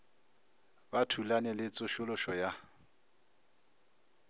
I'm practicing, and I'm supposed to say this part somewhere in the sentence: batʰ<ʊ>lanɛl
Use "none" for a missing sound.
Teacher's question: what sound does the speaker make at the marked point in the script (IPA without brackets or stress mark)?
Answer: u